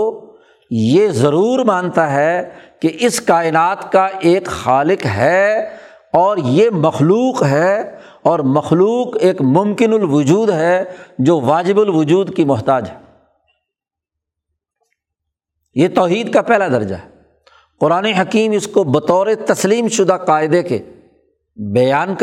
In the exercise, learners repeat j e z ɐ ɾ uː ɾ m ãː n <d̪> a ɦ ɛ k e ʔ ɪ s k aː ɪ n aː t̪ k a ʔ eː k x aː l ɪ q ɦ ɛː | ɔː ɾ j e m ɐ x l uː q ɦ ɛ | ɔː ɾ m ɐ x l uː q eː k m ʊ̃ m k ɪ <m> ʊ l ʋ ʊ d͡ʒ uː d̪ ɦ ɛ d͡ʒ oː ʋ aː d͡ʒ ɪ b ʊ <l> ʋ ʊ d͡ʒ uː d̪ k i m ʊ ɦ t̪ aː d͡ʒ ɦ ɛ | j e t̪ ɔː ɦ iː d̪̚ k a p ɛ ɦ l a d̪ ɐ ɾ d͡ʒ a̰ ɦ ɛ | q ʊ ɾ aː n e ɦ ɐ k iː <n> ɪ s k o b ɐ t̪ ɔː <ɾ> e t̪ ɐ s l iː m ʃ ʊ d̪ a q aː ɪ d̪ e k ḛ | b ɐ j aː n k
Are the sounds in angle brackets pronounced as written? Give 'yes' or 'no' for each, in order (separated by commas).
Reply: no, no, yes, no, yes